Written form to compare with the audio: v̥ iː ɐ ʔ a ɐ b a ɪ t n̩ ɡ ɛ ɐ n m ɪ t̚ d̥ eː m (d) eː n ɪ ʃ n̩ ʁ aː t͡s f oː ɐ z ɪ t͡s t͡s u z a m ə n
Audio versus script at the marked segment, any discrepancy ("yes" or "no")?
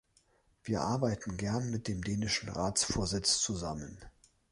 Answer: no